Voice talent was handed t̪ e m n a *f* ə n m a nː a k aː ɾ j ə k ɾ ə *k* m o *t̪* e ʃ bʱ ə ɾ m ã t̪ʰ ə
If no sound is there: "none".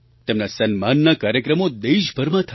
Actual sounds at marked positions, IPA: s, none, d̪

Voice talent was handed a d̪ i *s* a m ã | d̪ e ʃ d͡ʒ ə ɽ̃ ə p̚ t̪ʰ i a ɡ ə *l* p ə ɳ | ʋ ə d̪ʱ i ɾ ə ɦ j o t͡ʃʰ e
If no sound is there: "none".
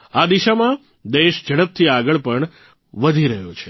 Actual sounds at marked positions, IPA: ʃ, ɭ

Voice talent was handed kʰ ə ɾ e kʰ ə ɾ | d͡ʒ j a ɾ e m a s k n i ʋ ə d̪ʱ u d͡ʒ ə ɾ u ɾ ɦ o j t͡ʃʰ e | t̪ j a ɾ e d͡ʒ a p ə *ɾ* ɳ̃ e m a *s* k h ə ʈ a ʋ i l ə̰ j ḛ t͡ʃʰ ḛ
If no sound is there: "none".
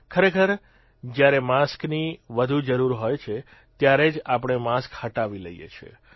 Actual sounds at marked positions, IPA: none, s

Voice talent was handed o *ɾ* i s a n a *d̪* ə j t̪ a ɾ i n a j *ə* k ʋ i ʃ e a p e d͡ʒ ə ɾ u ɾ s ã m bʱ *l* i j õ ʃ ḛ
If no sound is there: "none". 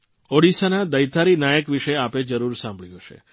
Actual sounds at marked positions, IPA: ɽ, d̪, ə, ɭ

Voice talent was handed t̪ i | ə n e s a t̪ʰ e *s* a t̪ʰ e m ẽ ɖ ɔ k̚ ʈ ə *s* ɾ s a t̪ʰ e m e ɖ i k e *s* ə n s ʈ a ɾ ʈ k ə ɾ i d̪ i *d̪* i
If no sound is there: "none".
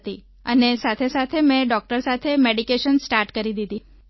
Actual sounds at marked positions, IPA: s, none, ʃ, d̪

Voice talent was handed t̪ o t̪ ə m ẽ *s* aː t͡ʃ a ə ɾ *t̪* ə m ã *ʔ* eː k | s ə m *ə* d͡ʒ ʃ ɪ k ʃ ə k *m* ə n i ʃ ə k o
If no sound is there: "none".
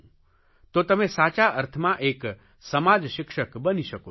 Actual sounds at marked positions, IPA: s, t̪ʰ, ʔ, a, b

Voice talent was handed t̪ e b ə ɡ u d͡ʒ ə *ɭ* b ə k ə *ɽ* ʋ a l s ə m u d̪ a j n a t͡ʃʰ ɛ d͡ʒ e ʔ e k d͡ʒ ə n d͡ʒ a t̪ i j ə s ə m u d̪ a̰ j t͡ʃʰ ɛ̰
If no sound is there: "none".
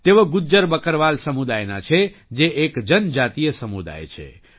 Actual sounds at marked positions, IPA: ɾ, ɾ

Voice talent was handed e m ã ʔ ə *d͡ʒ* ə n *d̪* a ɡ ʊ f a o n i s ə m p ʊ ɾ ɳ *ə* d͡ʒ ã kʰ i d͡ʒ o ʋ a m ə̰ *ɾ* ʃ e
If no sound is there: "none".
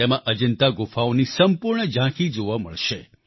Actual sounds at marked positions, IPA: d͡ʒ, t̪, ə, ɭ

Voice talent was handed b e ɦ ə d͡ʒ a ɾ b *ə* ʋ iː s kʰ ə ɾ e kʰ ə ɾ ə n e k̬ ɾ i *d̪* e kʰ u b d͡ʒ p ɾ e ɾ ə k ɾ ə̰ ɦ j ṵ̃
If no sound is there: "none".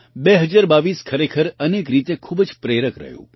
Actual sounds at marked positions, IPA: a, t̪

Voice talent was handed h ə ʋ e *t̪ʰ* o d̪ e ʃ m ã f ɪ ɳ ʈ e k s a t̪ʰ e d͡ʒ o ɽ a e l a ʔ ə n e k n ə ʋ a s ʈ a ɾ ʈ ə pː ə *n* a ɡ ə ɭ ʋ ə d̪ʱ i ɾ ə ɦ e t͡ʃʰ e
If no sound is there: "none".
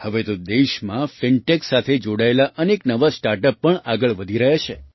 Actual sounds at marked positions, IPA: t̪, ɳ

